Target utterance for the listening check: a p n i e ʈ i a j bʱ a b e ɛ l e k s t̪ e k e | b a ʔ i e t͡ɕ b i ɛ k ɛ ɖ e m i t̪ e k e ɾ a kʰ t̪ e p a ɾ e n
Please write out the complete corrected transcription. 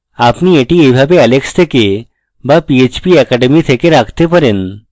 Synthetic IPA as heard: a p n i e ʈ i e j bʱ a b e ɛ l e k s t̪ʰ e k e | b a p i e t͡ɕ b i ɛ k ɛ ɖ e m i t̪ʰ e k e ɾ a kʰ t̪ e p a ɾ e n